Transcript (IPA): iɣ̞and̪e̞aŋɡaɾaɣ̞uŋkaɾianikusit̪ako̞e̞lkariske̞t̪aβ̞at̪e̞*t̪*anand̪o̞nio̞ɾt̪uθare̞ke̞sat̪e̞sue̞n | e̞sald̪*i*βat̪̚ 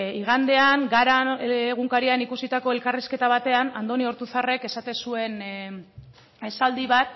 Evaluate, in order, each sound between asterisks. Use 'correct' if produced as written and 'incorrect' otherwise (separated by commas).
incorrect, correct